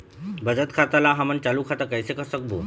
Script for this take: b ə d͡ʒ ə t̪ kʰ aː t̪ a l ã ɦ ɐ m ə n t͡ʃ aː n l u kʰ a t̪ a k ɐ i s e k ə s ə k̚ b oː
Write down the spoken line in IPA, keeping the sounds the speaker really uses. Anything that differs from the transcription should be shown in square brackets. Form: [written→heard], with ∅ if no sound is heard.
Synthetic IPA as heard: b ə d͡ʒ ə t̪ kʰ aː t̪ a l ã ɦ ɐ m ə n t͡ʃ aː [n→∅] l u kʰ a t̪ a k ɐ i s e k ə s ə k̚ b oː